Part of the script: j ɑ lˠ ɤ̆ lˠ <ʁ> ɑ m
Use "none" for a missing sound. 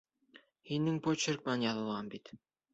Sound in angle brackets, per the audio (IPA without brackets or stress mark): ʁ